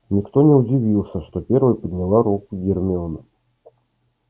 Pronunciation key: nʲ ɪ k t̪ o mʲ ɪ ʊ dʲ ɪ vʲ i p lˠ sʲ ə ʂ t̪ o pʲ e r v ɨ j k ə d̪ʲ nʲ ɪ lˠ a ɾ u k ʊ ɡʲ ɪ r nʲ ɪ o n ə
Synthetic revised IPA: nʲ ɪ k t̪ o nʲ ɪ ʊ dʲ ɪ vʲ i lˠ sʲ ə ʂ t̪ o pʲ e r v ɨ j p ə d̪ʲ nʲ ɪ lˠ a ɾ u k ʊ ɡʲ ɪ r mʲ ɪ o n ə